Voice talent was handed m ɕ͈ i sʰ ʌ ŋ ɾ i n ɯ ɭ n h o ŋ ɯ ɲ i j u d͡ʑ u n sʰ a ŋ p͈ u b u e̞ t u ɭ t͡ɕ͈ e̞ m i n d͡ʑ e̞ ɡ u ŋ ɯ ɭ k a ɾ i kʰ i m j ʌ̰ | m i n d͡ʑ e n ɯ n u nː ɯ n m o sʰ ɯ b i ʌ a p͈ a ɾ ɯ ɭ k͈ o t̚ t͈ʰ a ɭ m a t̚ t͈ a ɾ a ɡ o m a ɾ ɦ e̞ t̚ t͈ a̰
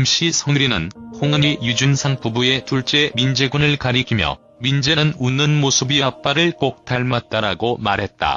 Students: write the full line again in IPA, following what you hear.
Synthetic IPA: m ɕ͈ i sʰ ʌ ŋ ɾ i n ɯ n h o ŋ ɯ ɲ i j u d͡ʑ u n sʰ a ŋ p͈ u b u e̞ t u ɭ t͡ɕ͈ e̞ m i n d͡ʑ e̞ ɡ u n ɯ ɭ k a ɾ i kʰ i m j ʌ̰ | m i n d͡ʑ e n ɯ n u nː ɯ n m o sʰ ɯ b i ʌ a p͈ a ɾ ɯ ɭ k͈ o k̚ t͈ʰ a ɭ m a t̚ t͈ a ɾ a ɡ o m a ɾ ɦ e̞ t̚ t͈ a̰